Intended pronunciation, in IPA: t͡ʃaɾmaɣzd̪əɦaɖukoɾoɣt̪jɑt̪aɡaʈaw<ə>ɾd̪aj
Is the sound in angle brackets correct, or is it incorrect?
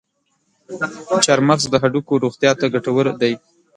correct